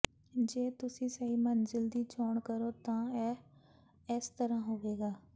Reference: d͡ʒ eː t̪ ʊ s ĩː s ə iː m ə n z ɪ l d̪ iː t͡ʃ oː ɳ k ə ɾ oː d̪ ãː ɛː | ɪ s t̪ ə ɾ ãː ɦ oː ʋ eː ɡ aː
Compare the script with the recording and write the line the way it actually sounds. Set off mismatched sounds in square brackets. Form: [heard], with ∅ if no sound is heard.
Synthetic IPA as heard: d͡ʒ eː t̪ ʊ s ĩː s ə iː m ə n z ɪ l d̪ iː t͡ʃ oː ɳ k ə ɾ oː [t̪] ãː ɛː | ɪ s t̪ ə ɾ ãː ɦ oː ʋ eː ɡ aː